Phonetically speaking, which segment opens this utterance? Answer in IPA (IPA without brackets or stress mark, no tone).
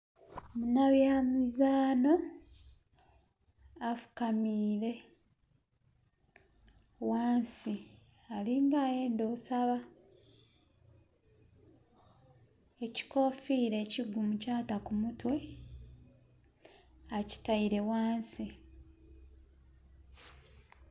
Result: m